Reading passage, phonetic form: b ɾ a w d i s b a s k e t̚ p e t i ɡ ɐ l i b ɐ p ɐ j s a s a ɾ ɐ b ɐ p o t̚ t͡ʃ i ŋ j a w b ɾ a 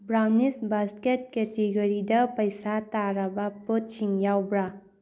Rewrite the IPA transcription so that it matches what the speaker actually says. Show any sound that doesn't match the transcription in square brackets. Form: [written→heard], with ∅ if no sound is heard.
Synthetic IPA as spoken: b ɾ a w [d→n] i s b a s k e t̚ [p→k] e t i ɡ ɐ [l→ɾ] i [b→d] ɐ p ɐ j s a [s→t] a ɾ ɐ b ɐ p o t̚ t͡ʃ i ŋ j a w b ɾ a